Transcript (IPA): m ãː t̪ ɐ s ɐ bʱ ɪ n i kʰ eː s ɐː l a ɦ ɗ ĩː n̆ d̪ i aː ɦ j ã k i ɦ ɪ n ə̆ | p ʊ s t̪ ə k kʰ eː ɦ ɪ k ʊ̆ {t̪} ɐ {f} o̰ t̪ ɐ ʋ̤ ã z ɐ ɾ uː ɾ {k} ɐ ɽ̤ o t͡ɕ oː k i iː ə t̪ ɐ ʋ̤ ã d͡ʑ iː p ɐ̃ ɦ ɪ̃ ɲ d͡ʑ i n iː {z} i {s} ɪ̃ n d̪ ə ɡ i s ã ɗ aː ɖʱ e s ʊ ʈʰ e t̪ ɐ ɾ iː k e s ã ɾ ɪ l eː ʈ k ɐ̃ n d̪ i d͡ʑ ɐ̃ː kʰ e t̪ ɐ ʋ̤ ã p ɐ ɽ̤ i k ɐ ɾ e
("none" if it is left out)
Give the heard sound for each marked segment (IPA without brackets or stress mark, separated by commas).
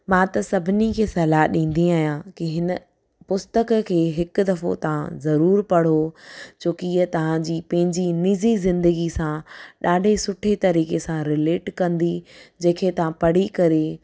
d̪, f, p, z, z